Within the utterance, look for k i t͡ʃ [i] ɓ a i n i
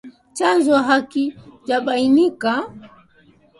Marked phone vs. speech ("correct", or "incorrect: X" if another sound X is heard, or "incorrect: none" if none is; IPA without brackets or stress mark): incorrect: a